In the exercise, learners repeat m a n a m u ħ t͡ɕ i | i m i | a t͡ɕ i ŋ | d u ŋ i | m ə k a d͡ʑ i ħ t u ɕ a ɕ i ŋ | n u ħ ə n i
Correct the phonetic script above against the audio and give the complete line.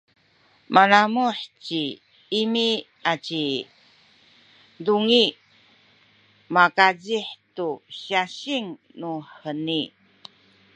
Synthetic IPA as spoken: m a n a m u ħ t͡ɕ i | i m i | a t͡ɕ i | d u ŋ i | m a k a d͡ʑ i ħ t u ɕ a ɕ i ŋ | n u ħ ə n i